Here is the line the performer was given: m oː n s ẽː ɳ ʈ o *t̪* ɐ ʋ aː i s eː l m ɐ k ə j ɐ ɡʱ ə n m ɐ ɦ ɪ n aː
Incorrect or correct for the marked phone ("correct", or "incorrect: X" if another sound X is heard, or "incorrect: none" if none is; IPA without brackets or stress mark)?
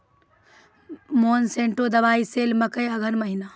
incorrect: d̪